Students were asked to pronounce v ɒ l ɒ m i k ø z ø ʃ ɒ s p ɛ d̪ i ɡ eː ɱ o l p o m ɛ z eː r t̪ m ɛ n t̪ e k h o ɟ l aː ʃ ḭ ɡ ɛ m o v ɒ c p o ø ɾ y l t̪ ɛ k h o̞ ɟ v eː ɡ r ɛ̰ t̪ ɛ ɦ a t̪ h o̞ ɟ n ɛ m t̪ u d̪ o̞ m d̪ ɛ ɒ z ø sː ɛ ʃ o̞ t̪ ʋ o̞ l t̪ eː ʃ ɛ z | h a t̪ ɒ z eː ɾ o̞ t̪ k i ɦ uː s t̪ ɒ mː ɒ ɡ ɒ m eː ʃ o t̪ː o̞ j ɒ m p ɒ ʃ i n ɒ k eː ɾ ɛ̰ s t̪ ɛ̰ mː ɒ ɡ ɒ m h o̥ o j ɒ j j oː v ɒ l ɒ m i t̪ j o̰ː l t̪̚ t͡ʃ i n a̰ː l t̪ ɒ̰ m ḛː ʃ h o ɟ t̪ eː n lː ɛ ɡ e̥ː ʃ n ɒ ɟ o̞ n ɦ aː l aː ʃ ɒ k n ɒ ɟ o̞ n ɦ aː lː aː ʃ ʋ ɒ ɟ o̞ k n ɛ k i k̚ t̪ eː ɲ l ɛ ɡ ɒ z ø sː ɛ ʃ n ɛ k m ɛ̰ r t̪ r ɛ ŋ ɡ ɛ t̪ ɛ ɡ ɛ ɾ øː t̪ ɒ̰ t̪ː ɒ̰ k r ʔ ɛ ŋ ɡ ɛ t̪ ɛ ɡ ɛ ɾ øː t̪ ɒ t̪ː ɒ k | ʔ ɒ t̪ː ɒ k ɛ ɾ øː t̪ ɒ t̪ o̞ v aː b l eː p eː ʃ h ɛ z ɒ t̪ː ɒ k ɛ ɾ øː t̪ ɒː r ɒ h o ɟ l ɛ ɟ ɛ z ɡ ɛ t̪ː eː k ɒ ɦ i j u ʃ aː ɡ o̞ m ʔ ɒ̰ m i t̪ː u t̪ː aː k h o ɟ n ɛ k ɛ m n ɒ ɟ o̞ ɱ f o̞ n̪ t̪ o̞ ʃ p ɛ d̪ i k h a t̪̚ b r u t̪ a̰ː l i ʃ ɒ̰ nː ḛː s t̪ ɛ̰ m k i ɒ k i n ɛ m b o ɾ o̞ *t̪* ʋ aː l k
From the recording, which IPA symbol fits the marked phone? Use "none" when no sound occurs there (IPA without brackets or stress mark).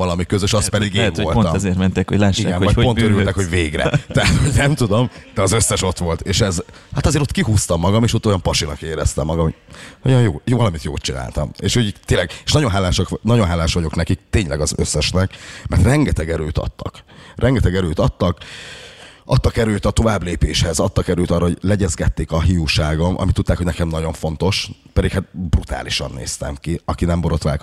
t̪